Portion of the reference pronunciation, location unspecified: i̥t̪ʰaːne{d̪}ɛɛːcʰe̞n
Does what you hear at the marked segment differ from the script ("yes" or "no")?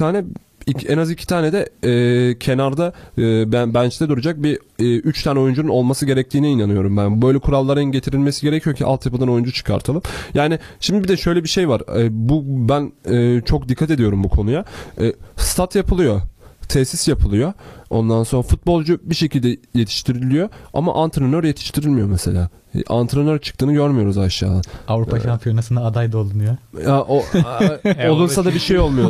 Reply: no